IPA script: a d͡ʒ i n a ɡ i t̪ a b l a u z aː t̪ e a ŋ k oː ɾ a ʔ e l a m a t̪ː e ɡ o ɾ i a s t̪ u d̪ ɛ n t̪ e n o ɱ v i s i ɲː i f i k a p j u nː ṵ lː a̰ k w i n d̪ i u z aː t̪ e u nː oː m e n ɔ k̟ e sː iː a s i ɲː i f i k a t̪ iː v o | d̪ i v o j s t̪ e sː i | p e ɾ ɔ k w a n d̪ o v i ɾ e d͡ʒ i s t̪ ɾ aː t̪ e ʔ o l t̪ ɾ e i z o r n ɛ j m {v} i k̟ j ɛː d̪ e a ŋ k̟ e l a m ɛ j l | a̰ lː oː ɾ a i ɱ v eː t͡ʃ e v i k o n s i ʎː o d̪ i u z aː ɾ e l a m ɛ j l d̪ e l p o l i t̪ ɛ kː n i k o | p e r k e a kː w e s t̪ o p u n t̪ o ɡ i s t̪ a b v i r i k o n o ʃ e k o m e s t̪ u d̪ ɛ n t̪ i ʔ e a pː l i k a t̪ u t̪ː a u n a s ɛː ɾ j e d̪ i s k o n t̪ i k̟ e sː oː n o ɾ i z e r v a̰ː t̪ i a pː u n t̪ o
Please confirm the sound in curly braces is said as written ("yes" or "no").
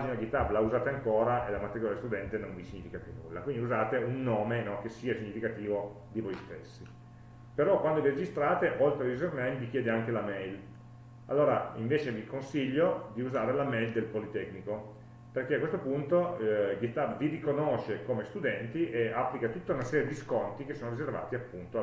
yes